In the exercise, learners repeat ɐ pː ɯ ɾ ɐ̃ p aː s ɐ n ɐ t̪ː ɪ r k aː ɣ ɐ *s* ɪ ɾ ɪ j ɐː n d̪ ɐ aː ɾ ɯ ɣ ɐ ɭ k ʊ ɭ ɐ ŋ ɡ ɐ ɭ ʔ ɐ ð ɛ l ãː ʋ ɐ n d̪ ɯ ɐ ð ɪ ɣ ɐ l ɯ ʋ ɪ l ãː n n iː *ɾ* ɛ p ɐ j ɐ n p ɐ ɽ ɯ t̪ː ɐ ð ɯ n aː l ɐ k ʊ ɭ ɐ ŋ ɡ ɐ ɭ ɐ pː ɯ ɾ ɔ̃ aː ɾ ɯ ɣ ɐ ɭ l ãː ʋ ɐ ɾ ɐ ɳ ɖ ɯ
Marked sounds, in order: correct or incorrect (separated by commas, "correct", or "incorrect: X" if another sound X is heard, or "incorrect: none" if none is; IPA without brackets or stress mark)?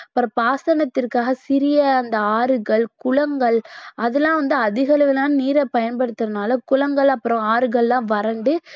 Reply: correct, correct